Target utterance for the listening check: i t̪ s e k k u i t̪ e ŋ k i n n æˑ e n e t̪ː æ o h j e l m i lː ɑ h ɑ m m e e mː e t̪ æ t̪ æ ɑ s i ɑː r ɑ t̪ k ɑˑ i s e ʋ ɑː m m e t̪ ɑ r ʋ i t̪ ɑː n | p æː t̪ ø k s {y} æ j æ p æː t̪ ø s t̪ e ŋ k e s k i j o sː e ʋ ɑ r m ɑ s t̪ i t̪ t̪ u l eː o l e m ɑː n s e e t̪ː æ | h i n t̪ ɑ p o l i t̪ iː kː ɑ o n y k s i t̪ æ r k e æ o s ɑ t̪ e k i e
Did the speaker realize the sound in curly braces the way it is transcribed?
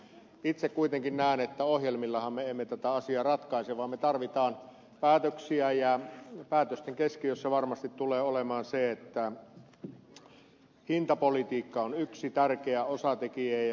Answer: no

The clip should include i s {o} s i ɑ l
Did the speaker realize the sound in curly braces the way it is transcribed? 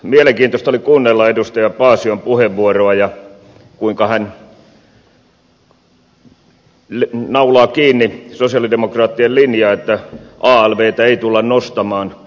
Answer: yes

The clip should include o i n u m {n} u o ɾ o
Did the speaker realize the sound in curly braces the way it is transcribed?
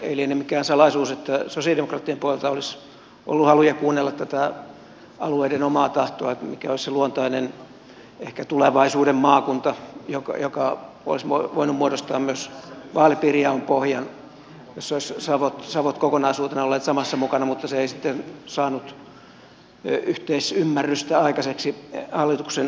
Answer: no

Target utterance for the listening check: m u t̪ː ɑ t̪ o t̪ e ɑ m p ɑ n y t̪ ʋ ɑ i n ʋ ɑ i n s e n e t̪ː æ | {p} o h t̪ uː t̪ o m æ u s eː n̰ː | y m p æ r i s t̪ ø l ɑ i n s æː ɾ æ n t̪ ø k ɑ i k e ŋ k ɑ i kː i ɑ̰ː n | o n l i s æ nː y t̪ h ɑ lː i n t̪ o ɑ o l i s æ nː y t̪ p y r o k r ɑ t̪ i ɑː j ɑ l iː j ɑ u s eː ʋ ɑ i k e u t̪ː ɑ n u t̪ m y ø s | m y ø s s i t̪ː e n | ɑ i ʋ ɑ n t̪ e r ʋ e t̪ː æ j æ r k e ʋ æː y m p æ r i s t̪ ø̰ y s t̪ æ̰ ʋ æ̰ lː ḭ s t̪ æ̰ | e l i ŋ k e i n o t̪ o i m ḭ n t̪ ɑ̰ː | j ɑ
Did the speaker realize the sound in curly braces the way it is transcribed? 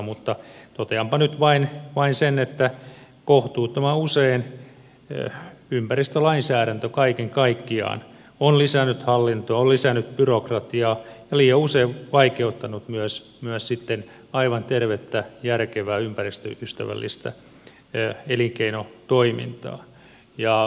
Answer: no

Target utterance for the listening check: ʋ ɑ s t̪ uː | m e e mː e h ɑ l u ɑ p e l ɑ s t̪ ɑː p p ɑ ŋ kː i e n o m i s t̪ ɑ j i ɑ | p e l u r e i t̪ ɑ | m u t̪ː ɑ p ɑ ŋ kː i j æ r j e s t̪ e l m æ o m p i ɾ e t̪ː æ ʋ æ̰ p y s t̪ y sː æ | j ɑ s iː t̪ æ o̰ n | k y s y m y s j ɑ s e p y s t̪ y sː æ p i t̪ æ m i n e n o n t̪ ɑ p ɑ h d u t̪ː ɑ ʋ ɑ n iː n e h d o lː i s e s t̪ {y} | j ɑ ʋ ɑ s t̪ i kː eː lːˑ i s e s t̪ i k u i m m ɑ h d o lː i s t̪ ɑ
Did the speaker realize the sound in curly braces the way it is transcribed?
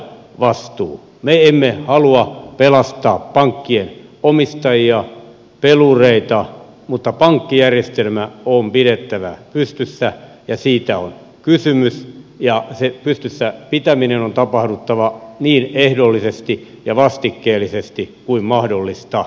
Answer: no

